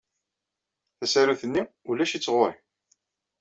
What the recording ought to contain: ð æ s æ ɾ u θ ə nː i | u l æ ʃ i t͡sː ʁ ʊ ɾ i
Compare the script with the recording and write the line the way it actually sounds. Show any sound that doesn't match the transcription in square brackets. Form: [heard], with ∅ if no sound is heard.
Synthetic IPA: [θ] æ s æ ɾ u θ ə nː i | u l æ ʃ i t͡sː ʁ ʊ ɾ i